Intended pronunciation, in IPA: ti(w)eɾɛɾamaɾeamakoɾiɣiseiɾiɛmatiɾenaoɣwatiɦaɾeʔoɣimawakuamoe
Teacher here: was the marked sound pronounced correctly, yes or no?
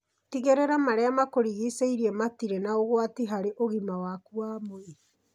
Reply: no